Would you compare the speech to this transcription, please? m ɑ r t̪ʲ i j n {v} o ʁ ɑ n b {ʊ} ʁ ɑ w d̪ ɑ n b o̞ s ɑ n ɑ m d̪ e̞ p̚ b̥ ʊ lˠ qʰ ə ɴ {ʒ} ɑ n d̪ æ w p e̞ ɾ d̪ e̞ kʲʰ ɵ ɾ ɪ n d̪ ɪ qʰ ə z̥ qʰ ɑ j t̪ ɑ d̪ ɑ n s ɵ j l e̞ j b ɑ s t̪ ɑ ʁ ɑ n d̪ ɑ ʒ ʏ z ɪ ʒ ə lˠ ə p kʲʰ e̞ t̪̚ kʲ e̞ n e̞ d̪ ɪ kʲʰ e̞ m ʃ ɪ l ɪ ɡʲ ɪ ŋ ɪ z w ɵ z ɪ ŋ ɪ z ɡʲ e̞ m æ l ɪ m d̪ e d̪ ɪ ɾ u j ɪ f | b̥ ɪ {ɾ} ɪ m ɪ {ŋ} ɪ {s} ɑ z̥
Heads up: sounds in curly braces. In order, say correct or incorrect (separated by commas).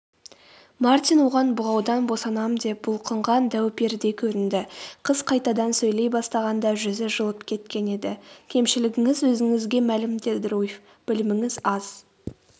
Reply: incorrect, correct, incorrect, incorrect, correct, incorrect